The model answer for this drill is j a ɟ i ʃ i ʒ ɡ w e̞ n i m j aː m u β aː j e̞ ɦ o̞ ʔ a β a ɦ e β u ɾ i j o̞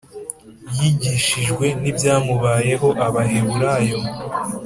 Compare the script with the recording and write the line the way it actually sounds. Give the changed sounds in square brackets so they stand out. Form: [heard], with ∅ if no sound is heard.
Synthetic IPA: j [i] ɟ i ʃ i ʒ ɡ w e̞ n i [b] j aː m u β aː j e̞ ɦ o̞ ʔ a β a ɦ e β u ɾ [a] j o̞

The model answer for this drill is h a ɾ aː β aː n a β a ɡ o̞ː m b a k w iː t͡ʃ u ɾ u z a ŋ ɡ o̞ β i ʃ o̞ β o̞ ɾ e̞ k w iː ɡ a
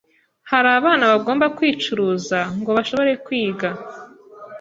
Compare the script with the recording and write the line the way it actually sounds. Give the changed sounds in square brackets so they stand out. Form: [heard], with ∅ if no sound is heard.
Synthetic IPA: h a ɾ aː β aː n a β a ɡ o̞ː m b a k w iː t͡ʃ u ɾ u z a ŋ ɡ o̞ β [a] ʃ o̞ β o̞ ɾ e̞ k w iː ɡ a

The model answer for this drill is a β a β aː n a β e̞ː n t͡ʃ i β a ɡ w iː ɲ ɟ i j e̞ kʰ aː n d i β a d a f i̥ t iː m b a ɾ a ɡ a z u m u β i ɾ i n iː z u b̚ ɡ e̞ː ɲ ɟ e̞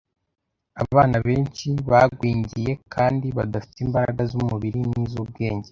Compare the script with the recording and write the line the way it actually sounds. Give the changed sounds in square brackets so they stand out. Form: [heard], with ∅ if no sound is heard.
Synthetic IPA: a β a β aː n a β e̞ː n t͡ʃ i β a ɡ w iː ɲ ɟ i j e̞ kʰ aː n d i β a d a f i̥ t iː m b a ɾ a ɡ a z u m u β i ɾ i n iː z u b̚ ɡ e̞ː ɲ ɟ e̞

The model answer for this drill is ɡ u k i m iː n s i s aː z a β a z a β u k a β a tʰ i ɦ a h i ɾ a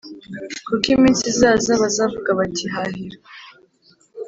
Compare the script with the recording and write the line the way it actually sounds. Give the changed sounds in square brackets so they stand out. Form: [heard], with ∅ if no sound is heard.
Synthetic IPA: [k] u k i m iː n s i [z] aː z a β a z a [v] u [ɡ] a β a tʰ i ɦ a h i ɾ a

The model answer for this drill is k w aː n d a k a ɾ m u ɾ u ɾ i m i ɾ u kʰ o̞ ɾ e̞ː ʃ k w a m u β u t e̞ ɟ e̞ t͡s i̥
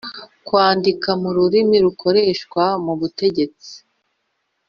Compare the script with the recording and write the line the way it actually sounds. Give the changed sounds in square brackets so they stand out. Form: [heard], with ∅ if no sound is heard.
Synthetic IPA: k w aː n d [i] k a [∅] m u ɾ u ɾ i m i ɾ u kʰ o̞ ɾ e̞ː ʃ k w a m u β u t e̞ ɟ e̞ t͡s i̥

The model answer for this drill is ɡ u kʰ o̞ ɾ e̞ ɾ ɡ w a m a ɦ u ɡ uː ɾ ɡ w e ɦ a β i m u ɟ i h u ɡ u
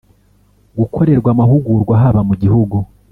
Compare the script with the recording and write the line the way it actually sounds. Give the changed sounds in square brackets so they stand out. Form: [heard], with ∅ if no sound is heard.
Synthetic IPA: ɡ u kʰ o̞ ɾ e̞ ɾ ɡ w a m a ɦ u ɡ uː ɾ ɡ w [a] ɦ a β [a] m u ɟ i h u ɡ u

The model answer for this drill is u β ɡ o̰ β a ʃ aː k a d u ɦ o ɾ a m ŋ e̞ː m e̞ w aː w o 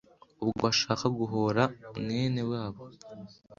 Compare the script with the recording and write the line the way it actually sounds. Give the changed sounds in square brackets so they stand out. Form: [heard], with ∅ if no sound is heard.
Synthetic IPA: u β ɡ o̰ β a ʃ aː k a [ɡ] u ɦ o ɾ a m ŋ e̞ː [n] e̞ w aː [β] o

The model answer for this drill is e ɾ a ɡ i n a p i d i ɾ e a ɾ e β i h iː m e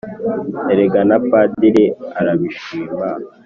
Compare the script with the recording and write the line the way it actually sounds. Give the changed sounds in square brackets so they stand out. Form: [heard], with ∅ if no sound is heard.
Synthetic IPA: e ɾ [e] ɡ [a] n a p [a] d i ɾ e a ɾ [a] β i [ʃ] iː m [a]

